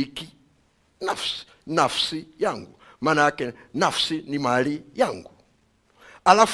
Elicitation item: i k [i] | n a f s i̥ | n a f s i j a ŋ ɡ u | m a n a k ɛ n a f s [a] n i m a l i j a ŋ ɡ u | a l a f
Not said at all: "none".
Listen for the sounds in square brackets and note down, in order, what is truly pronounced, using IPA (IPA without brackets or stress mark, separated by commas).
i, i